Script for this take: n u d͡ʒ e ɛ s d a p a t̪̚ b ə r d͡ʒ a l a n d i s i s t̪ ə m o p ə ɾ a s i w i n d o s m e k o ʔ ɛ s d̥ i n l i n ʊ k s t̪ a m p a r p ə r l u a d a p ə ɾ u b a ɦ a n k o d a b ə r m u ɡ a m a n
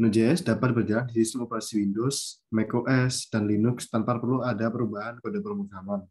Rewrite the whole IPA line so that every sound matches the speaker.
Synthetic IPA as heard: n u d͡ʒ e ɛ s d a p a t̪̚ b ə r d͡ʒ a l a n d i s i s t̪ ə m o p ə ɾ a s i w i n d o s m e k o ʔ ɛ s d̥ a n l i n ʊ k s t̪ a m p a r p ə r l u a d a p ə ɾ u b a ɦ a n k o d a p ə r m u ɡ a m a n

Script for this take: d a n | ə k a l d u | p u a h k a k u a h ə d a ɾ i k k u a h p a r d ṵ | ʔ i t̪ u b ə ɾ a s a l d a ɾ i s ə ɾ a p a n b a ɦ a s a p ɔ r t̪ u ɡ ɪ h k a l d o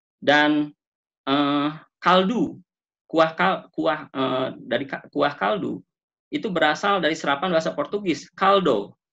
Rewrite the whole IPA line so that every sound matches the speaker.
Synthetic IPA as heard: d a n | ə k a l d u | k u a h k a k u a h ə d a ɾ i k k u a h k a l d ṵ | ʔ i t̪ u b ə ɾ a s a l d a ɾ i s ə ɾ a p a n b a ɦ a s a p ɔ r t̪ u ɡ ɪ s k a l d o

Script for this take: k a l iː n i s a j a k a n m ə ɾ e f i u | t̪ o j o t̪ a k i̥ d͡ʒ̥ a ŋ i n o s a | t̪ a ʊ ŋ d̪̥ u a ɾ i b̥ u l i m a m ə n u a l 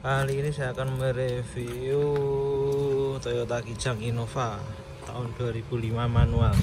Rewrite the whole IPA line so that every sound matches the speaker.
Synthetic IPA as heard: k a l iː n i s a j a k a n m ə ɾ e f i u | t̪ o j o t̪ a k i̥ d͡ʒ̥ a ŋ i n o f a | t̪ a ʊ n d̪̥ u a ɾ i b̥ u l i m a m a n u a l

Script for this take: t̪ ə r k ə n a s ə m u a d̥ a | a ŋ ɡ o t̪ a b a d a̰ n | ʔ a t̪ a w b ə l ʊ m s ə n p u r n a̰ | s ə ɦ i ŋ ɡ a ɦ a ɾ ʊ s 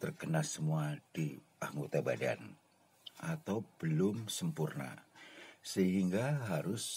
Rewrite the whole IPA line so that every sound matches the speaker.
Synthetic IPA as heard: t̪ ə r k ə n a s ə m u a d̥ i | a ŋ ɡ o t̪ a b a d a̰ n | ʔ a t̪ a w b ə l ʊ m s ə m p u r n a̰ | s ə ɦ i ŋ ɡ a ɦ a ɾ ʊ s

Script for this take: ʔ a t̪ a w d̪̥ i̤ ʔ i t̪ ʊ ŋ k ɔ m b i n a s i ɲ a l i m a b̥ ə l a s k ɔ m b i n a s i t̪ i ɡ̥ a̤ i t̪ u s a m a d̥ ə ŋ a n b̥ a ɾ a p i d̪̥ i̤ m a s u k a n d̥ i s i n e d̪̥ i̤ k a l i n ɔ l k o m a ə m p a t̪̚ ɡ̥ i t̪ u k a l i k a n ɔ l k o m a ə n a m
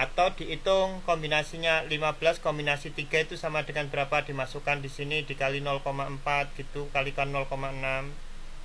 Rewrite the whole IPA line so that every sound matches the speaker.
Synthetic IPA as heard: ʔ a t̪ a w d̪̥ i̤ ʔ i t̪ ʊ ŋ k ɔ m b i n a s i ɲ a l i m a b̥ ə l a s k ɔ m b i n a s i t̪ i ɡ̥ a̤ i t̪ u s a m a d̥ ə ŋ a n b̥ ə ɾ a p a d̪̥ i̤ m a s u k a n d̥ i s i n i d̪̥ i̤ k a l i n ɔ l k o m a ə m p a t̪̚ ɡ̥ i t̪ u k a l i k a n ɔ l k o m a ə n a m

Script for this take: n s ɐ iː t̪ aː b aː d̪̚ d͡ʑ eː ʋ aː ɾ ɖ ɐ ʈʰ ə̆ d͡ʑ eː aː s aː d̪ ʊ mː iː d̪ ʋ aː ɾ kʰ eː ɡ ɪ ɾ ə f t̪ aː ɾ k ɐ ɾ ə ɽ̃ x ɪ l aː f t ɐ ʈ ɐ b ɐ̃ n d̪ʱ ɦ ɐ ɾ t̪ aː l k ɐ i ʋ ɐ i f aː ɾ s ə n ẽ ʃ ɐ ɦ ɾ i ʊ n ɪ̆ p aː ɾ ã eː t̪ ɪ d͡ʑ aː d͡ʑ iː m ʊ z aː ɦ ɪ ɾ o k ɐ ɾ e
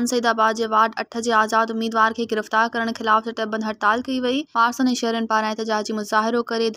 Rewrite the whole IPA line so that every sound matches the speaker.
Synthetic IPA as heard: n s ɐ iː d̪ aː b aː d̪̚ d͡ʑ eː ʋ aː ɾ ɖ ɐ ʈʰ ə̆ d͡ʑ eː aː z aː d̪ ʊ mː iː d̪ ʋ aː ɾ kʰ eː ɡ ɪ ɾ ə f t̪ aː ɾ k ɐ ɾ ə ɽ̃ x ɪ l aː f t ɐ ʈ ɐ b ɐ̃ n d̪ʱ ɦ ɐ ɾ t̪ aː l k ɐ i ʋ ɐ i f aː ɾ s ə n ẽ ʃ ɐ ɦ ɾ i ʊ n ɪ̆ p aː ɾ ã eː t̪ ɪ d͡ʑ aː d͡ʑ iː m ʊ z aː ɦ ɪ ɾ o k ɐ ɾ e

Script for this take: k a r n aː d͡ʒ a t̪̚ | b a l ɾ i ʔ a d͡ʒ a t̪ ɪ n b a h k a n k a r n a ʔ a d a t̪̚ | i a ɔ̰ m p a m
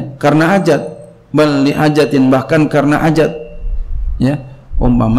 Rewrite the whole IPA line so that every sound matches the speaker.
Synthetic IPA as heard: k a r n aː d͡ʒ a t̪̚ | b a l l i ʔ a d͡ʒ a t̪ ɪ n b a h k a n k a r n a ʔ a d͡ʒ a t̪̚ | j a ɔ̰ m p a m

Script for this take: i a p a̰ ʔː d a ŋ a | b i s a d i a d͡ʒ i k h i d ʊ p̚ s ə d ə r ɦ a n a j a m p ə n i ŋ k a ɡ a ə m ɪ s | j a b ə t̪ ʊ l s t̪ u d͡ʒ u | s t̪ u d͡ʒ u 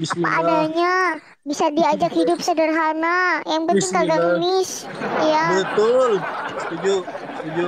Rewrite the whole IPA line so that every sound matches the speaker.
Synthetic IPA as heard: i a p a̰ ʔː d a ɲ a | b i s a d i a d͡ʒ a k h i d ʊ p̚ s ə d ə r ɦ a n a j a ŋ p ə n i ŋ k a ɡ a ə m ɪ s | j a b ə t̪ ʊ l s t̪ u d͡ʒ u | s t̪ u d͡ʒ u

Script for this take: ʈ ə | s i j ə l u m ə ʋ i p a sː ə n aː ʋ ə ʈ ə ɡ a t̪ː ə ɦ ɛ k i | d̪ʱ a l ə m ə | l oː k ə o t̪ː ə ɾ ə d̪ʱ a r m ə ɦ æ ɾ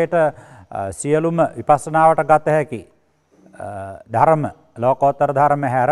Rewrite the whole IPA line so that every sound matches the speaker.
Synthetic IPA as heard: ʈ ə | s i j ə l u m ə ʋ i p a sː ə n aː ʋ ə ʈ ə ɡ a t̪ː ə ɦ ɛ k i | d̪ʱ a ɾ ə m ə | l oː k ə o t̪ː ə ɾ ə d̪ʱ a ɾ m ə ɦ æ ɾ

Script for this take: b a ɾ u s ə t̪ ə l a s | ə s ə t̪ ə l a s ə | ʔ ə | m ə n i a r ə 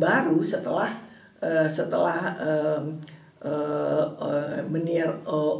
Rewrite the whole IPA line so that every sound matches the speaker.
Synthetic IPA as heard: b a ɾ u s ə t̪ ə l a h | ə s ə t̪ ə l a h ə | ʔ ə | m ə n i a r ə

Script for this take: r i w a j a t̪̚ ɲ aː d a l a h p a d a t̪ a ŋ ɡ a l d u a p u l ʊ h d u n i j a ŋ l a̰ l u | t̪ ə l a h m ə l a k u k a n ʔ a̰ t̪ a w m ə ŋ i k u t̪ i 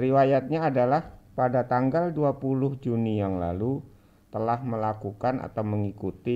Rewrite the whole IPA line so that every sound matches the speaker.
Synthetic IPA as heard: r i w a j a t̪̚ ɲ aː d a l a h p a d a t̪ a ŋ ɡ a l d u a p u l ʊ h d͡ʒ u n i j a ŋ l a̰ l u | t̪ ə l a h m ə l a k u k a n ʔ a̰ t̪ a w m ə ŋ i k u t̪ i

